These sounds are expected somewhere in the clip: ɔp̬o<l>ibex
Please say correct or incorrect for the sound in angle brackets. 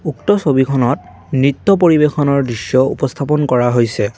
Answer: incorrect